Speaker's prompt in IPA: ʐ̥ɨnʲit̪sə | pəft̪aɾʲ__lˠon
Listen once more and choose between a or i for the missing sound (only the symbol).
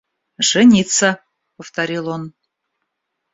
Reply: i